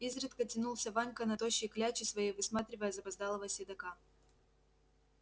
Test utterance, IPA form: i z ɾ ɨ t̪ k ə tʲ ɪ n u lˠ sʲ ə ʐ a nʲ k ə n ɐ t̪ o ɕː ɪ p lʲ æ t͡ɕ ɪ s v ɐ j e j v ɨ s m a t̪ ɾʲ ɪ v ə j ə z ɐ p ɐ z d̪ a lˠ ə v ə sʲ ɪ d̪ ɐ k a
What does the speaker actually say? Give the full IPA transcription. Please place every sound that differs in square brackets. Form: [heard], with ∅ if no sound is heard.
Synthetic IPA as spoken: i z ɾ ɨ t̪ k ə tʲ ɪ n u lˠ sʲ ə [v] a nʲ k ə n ɐ t̪ o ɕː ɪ [k] lʲ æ t͡ɕ ɪ s v ɐ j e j v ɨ s m a t̪ ɾʲ ɪ v ə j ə z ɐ p ɐ z d̪ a lˠ ə v ə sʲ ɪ d̪ ɐ k a